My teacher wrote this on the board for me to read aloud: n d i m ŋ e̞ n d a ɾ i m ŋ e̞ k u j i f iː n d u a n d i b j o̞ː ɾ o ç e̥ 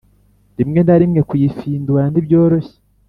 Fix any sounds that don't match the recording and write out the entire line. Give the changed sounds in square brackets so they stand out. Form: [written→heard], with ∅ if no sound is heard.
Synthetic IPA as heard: n d i m ŋ e̞ n d a ɾ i m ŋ e̞ k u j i f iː n d u a n d i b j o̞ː ɾ o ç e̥